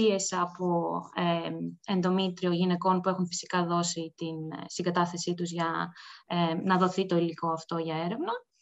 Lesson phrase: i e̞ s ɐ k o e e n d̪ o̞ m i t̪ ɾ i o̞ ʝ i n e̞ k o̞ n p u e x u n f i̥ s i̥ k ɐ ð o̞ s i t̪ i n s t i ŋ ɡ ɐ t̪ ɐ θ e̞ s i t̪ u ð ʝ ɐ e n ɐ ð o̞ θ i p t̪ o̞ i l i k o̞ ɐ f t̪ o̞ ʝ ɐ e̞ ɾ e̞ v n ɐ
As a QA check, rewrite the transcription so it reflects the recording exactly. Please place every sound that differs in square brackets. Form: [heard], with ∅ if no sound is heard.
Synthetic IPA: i e̞ s ɐ [p] o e e n d̪ o̞ m i t̪ ɾ i o̞ ʝ i n e̞ k o̞ n p u e x u n f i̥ s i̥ k ɐ ð o̞ s i t̪ i n s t i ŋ ɡ ɐ t̪ ɐ θ e̞ s i t̪ u [z] ʝ ɐ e n ɐ ð o̞ θ i [∅] t̪ o̞ i l i k o̞ ɐ f t̪ o̞ ʝ ɐ e̞ ɾ e̞ v n ɐ